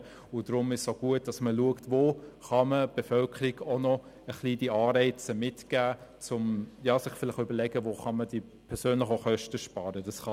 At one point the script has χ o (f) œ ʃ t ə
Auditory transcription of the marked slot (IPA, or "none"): χ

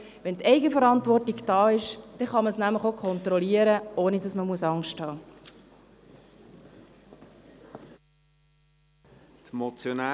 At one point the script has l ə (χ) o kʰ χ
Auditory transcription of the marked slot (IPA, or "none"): χ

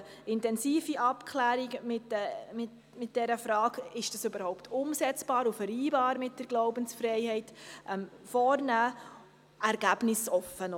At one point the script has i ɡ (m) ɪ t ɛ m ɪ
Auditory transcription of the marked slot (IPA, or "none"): m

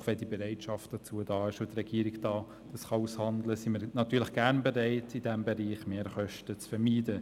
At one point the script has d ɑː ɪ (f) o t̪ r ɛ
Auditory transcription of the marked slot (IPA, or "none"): ʃ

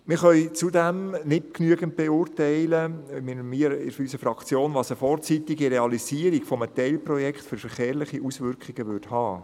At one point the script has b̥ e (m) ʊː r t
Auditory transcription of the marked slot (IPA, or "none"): none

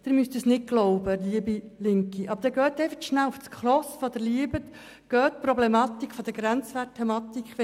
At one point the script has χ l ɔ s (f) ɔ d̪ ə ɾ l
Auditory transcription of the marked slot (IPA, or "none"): f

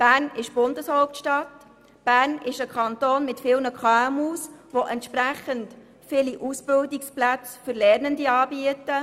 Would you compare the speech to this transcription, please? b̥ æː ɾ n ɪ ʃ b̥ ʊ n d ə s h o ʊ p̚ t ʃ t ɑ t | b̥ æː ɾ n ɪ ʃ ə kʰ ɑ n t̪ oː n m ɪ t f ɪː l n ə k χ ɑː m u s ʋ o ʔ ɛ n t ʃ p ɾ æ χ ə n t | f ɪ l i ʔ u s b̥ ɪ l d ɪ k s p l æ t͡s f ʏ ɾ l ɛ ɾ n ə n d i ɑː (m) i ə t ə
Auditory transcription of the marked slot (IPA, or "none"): b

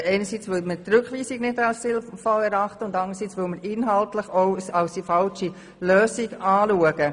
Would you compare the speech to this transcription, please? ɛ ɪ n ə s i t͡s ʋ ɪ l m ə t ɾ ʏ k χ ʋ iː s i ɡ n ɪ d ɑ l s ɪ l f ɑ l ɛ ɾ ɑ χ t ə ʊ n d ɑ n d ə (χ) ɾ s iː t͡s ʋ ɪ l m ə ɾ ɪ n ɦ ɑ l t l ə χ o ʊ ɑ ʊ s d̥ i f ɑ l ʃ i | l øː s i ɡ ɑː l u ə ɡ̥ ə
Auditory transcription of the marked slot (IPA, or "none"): none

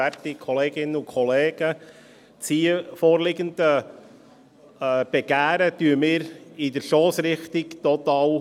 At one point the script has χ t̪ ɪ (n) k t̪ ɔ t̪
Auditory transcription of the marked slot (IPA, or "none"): none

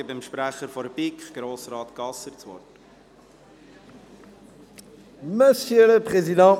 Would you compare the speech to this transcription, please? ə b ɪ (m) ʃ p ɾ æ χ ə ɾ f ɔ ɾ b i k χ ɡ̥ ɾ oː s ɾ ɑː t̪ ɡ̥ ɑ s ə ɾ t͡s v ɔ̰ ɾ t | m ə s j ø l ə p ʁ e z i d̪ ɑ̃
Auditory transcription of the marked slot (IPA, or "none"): m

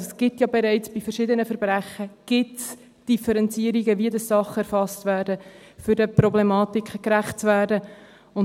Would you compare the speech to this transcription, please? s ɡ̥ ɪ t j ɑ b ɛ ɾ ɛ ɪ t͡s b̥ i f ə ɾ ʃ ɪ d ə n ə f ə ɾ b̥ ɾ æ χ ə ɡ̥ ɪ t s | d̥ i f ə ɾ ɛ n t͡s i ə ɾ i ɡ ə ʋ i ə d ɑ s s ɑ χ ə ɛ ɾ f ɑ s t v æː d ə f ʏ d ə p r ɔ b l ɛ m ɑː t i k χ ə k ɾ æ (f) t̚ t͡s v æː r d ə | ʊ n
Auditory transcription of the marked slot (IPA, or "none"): χ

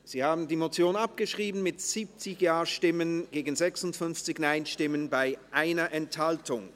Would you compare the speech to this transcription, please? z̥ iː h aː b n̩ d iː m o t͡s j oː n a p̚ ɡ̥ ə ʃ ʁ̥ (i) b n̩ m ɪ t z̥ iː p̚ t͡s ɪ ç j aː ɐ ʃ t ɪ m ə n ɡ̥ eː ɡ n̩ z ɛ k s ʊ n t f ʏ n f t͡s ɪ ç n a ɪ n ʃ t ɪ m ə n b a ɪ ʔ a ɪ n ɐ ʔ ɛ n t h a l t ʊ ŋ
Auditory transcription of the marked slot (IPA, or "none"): iː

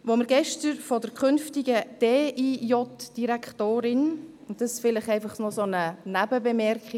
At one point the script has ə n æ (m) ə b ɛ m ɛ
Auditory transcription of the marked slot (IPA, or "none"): b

